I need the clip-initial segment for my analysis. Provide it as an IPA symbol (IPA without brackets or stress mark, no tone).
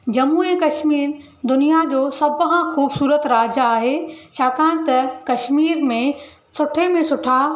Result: d͡ʑ